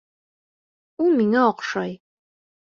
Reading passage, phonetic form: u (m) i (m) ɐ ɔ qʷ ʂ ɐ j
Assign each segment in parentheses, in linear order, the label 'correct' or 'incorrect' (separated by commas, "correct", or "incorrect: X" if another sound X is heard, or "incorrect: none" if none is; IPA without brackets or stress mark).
correct, incorrect: ŋ